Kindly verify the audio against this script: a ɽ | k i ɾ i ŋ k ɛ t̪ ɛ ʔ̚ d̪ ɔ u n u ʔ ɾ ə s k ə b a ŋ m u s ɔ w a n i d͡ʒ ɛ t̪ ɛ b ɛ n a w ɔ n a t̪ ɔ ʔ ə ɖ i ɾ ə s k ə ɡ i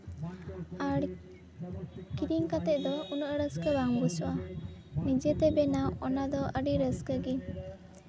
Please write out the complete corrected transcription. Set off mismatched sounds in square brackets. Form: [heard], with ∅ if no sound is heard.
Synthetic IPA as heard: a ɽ | k i ɾ i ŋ k [a] t̪ ɛ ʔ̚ d̪ ɔ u n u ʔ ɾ ə s k ə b a ŋ [b] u s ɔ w a n i d͡ʒ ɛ t̪ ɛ b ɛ n a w ɔ n a [d̪] ɔ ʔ ə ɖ i ɾ ə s k ə ɡ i